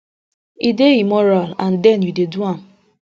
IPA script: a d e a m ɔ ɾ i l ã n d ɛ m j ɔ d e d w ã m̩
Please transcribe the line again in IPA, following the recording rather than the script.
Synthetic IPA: i d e i m ɔ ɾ a l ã n d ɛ n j u d e d u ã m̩